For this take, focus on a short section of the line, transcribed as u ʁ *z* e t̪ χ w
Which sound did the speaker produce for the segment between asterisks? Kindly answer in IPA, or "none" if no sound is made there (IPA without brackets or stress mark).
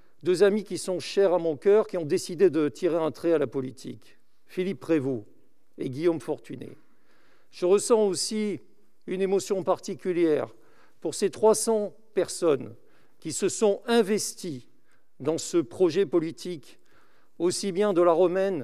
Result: s